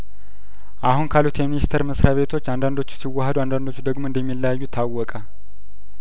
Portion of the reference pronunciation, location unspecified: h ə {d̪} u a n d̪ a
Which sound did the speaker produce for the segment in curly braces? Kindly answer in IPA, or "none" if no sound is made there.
d̪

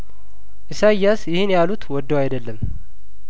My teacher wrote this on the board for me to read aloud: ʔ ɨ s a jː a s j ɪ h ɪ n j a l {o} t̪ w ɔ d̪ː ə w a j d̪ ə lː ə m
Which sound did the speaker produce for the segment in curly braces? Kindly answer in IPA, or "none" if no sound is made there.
u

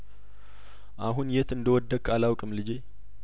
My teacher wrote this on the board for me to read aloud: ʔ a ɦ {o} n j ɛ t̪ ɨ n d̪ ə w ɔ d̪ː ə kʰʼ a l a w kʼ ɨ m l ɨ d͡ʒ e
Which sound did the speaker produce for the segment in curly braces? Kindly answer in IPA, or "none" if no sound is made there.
u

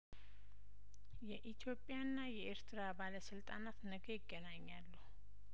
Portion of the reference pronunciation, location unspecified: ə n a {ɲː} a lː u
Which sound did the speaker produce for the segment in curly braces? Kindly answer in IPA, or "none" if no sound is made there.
ɲː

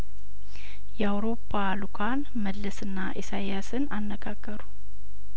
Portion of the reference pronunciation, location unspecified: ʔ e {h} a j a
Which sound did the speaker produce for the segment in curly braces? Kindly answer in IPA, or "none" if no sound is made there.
s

